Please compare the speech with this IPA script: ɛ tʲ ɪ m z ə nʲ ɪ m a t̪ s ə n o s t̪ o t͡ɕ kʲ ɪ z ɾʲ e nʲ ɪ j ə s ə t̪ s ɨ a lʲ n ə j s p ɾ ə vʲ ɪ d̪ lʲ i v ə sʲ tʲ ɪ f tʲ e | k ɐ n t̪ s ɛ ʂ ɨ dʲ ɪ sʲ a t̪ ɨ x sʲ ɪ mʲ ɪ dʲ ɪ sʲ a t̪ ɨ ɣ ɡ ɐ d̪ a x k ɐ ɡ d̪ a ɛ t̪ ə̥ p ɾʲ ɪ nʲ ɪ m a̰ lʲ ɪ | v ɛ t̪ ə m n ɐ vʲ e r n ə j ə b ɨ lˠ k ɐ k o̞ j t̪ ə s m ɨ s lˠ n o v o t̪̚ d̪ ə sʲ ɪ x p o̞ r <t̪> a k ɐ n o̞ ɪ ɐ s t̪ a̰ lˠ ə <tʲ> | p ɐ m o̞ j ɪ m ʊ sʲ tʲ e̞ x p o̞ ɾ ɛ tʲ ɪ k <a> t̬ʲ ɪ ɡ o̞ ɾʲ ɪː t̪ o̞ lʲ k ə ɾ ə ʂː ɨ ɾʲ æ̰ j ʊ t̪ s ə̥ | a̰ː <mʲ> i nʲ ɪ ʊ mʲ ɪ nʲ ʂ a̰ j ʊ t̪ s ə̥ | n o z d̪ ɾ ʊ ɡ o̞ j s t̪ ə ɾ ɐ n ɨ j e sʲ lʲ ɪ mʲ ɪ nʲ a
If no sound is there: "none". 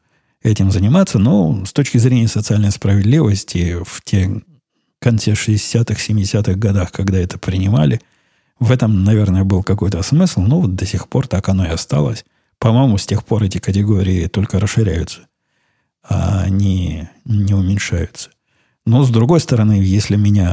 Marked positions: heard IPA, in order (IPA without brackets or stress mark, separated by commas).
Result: t̪, sʲ, ə, nʲ